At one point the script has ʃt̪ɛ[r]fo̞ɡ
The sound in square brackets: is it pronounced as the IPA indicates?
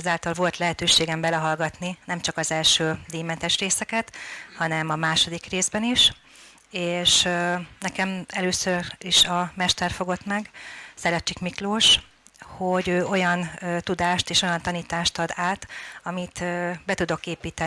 yes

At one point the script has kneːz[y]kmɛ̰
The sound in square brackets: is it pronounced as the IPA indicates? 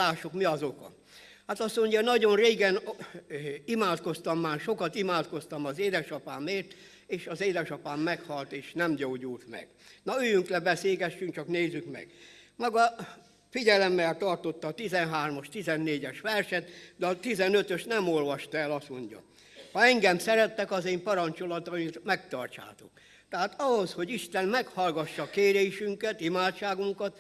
yes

